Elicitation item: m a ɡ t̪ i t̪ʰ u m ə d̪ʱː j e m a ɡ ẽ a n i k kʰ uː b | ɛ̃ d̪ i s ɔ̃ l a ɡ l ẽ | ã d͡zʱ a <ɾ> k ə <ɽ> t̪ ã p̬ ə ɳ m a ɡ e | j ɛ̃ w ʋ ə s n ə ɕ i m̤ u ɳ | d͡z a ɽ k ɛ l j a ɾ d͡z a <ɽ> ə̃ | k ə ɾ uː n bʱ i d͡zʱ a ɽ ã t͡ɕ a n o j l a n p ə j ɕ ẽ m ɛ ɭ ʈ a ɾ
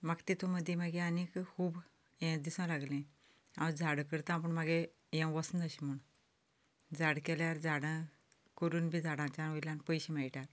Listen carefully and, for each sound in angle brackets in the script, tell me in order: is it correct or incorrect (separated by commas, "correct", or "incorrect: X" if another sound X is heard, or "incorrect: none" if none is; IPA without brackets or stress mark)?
incorrect: ɽ, incorrect: ɾ, correct